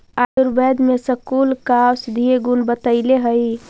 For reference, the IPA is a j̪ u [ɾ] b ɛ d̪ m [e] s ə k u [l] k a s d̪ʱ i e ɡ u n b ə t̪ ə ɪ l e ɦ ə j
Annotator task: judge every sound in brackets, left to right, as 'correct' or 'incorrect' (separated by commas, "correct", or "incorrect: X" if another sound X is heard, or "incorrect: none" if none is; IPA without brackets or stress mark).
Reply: correct, correct, correct